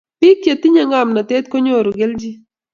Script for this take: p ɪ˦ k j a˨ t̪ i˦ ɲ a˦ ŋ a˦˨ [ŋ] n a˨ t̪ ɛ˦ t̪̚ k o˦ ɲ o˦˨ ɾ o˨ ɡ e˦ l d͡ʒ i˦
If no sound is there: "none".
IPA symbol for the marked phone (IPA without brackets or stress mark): m